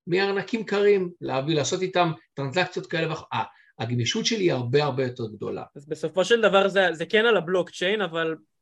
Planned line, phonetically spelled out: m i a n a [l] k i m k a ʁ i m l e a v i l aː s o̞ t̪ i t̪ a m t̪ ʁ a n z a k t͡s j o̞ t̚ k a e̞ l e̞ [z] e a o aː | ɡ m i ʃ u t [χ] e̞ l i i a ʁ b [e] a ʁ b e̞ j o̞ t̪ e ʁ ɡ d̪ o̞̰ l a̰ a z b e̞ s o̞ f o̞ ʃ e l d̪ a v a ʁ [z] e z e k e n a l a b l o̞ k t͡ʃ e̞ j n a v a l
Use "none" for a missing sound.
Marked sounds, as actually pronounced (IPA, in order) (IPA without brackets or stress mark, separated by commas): none, v, ʃ, e, z